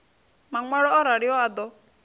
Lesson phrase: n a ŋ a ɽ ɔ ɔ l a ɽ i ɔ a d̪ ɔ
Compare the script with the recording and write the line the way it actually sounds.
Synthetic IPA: m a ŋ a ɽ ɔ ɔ ɾ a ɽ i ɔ a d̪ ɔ